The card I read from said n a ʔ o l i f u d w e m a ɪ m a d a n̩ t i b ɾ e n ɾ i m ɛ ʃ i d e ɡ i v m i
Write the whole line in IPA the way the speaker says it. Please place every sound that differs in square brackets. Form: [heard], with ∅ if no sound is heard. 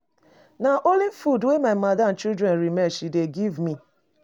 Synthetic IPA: n a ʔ o l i f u d w e m a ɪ m a d a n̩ [t͡ʃ] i [d] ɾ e n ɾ i m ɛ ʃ i d e ɡ i v m i